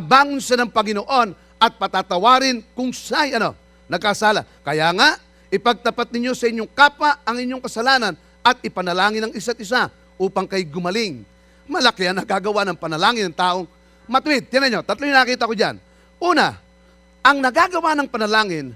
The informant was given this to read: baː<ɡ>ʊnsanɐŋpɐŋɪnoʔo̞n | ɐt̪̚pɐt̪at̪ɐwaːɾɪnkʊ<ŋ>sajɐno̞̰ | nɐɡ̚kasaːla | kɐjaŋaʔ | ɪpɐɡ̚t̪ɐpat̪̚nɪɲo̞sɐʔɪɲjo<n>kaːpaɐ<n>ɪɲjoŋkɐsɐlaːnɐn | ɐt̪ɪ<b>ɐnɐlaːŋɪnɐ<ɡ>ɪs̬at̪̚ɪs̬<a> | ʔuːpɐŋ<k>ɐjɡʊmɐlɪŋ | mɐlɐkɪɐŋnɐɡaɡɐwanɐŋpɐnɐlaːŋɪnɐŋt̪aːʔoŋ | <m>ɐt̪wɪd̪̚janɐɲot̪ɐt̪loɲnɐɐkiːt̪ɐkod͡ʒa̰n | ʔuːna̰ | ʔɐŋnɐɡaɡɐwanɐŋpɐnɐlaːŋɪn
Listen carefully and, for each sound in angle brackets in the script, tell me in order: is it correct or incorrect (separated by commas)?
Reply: incorrect, correct, incorrect, incorrect, incorrect, incorrect, correct, correct, correct